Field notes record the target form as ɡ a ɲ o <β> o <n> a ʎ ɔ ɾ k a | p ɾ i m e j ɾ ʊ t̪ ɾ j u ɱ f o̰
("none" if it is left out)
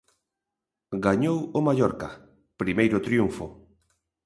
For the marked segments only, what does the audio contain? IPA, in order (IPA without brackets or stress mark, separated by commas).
w, m